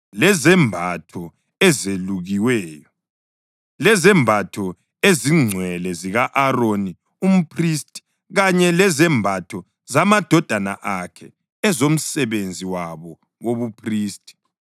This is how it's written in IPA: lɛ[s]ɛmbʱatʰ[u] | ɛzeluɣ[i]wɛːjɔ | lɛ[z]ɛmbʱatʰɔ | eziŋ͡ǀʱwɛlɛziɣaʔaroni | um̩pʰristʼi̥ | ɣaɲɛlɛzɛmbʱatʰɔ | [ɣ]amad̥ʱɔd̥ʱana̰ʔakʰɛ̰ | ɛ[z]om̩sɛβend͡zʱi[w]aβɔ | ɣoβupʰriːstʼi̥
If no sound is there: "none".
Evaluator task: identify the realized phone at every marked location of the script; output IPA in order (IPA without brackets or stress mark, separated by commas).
z, ɔ, i, z, z, z, w